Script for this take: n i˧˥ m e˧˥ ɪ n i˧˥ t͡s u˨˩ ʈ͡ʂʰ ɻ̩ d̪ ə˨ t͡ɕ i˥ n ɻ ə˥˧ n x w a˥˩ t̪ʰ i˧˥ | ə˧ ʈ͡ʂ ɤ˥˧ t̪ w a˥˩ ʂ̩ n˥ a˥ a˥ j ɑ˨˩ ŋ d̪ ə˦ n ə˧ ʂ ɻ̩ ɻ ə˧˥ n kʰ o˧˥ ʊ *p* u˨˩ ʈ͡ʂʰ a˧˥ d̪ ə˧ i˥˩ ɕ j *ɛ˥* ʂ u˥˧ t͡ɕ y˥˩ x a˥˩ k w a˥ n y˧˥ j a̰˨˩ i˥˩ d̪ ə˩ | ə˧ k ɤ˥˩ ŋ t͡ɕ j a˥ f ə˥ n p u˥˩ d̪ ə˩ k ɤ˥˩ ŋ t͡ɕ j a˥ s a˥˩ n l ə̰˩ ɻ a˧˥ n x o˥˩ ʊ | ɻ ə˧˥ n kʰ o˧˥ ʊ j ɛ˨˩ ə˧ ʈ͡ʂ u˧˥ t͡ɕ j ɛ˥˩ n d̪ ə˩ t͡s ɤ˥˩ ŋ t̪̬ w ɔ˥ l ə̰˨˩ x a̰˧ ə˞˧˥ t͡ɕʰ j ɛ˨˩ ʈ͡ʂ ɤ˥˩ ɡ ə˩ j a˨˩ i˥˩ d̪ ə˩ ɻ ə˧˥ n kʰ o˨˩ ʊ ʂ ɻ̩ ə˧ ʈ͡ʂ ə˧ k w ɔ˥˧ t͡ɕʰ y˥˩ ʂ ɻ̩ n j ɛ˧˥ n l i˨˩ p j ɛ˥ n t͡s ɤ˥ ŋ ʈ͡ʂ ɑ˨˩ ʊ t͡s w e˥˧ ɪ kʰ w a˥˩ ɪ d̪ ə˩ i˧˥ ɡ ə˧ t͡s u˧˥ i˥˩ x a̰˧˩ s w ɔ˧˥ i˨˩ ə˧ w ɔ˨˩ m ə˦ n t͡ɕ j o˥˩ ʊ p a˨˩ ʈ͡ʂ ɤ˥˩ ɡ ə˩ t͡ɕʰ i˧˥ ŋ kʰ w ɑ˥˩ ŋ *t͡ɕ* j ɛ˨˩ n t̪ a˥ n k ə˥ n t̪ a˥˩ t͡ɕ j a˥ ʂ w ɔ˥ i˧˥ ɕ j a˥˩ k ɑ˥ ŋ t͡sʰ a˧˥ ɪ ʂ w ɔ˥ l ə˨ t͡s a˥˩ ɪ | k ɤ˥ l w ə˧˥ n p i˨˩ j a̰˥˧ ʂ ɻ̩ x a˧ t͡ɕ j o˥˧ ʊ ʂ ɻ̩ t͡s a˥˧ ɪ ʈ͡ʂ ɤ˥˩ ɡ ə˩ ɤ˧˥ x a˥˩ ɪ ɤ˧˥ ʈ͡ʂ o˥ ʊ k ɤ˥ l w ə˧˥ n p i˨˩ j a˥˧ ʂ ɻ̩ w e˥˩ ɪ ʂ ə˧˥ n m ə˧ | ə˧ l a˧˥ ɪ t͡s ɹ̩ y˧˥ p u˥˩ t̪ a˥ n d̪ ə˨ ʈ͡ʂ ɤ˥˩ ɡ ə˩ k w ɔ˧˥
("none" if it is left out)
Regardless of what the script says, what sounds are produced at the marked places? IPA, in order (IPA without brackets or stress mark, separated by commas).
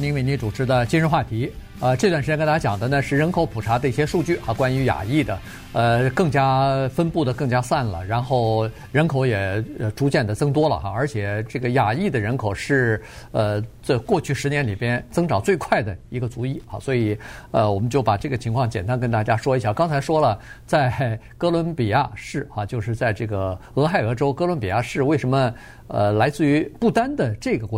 pʰ, ɛ˥, t͡ɕ